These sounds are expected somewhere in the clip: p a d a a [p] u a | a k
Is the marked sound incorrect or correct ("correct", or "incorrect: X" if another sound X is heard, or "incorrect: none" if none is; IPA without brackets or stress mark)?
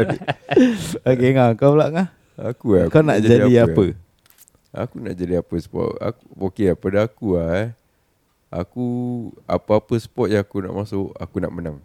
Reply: incorrect: k